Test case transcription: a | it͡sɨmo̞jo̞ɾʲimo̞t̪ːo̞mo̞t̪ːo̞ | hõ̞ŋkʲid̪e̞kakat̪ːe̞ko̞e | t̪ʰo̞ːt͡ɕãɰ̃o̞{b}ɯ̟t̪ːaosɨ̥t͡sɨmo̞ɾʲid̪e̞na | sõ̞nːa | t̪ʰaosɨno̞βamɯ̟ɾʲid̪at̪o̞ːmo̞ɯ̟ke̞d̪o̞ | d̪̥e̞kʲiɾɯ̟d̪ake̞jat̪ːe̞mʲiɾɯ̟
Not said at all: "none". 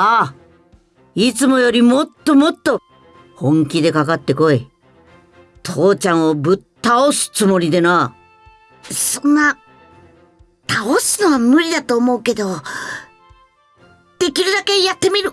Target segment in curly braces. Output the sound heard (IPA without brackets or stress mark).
b